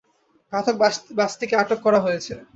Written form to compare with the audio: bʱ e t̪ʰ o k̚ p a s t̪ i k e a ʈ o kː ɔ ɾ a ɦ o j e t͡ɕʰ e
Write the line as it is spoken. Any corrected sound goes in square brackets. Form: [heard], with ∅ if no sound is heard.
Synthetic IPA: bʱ [a] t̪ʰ o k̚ [b] a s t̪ i k e a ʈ o kː ɔ ɾ a ɦ o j e t͡ɕʰ e